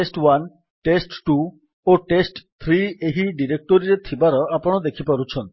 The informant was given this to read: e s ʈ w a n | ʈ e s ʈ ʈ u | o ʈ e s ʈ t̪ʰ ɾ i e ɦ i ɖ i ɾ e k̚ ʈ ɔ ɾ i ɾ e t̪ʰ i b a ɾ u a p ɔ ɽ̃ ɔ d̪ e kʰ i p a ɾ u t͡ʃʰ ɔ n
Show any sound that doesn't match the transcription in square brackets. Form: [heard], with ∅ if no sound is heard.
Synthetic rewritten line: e s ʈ w a n | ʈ e s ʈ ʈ u | o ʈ e s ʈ t̪ʰ ɾ i e ɦ i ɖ i ɾ e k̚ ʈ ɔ ɾ i ɾ e t̪ʰ i b a ɾ [ɔ] a p ɔ ɽ̃ ɔ d̪ e kʰ i p a ɾ u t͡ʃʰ ɔ n